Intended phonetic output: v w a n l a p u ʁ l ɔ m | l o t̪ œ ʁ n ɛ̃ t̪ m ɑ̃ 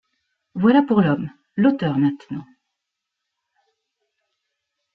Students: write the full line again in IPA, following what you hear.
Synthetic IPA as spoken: v w a l a p u ʁ l ɔ m | l o t̪ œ ʁ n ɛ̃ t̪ n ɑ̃